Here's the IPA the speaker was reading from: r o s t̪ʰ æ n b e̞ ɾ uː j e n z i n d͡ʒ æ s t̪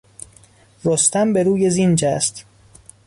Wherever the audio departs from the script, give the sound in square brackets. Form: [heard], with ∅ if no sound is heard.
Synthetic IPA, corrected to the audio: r o s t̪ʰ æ [m] b e̞ ɾ uː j e [∅] z i n d͡ʒ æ s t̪

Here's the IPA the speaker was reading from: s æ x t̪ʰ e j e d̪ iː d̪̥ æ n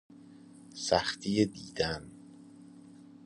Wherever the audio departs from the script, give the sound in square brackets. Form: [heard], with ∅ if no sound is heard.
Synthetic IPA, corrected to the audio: s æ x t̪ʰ [i] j e d̪ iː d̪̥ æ n

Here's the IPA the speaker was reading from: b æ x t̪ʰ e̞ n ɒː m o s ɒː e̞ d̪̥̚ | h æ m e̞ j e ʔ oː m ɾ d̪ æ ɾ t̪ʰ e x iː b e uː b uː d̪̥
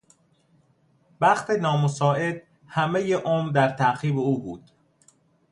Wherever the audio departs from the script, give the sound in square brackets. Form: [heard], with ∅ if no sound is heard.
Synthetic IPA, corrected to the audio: b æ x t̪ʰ e̞ n ɒː m o s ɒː e̞ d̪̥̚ | h æ m e̞ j e ʔ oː m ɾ d̪ æ ɾ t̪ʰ [æ] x iː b e uː b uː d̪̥

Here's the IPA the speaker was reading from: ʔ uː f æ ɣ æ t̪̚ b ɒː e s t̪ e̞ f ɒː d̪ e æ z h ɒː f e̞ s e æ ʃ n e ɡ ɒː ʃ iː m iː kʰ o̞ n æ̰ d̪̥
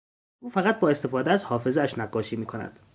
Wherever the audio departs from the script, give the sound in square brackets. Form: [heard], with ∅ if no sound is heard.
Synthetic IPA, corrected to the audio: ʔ uː f æ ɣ æ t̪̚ b ɒː e s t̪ e̞ f ɒː d̪ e æ z h ɒː f e̞ [z] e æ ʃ n [æ] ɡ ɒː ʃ iː m iː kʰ o̞ n æ̰ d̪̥

